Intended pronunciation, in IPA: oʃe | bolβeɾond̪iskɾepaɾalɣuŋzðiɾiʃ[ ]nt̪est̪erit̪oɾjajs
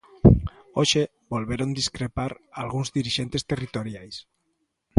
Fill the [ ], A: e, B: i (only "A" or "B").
A